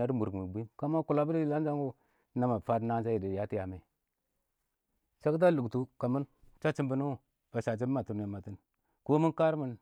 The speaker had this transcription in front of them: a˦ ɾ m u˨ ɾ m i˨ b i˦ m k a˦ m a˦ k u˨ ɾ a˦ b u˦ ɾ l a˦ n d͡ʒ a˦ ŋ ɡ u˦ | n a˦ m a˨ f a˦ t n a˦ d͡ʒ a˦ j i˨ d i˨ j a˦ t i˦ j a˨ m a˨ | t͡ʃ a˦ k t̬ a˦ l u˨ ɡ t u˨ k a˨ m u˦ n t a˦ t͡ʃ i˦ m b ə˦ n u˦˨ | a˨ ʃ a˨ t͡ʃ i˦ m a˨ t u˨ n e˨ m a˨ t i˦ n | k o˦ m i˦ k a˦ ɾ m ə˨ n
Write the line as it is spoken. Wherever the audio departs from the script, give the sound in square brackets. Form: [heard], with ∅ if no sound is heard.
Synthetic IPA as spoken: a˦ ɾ m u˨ ɾ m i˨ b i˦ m k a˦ m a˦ k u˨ [l] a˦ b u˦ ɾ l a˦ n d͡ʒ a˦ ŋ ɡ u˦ | n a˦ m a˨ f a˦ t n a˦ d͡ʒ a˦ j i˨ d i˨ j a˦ t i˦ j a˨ m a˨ | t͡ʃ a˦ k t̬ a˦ l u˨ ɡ t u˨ k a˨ m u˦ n [t͡ʃ] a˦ t͡ʃ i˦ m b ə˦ n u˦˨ | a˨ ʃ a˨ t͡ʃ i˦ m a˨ t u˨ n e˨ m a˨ t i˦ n | k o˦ m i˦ k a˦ ɾ m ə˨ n